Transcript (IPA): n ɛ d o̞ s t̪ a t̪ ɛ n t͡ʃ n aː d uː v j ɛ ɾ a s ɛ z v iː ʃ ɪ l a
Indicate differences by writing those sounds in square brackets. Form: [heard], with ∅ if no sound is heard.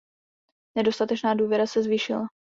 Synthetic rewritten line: n ɛ d o̞ s t̪ a t̪ ɛ [∅] t͡ʃ n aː d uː v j ɛ ɾ a s ɛ z v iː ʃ ɪ l a